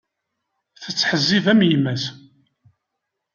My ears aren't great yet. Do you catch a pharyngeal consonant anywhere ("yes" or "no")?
yes